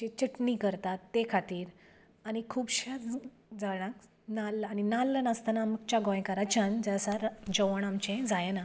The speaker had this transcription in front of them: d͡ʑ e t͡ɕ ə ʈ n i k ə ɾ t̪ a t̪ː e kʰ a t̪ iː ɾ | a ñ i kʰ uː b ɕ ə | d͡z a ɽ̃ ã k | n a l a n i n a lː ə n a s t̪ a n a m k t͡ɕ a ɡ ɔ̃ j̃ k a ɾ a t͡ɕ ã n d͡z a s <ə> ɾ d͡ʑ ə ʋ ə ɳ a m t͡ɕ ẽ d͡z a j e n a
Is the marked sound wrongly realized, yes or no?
yes